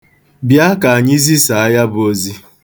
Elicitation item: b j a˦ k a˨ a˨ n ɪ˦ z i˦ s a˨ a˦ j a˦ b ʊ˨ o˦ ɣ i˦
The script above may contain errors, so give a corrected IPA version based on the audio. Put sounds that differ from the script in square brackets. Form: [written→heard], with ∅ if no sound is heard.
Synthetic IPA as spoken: b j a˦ k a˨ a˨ [n→ɲ] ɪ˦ z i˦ s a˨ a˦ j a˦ b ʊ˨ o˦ [ɣ→z] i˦